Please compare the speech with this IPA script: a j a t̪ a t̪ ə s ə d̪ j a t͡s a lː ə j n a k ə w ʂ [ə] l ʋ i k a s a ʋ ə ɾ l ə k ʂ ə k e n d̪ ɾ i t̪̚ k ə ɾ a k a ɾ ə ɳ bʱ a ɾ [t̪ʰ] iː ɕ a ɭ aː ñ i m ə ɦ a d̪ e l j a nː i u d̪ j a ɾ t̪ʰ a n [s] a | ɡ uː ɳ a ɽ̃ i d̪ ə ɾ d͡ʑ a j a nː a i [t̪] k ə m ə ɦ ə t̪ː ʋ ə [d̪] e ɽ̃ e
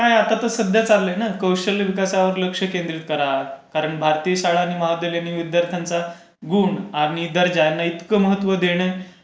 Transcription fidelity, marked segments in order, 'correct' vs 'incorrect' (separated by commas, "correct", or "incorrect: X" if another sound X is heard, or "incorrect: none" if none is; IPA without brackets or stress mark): correct, incorrect: t̪, incorrect: t͡s, correct, correct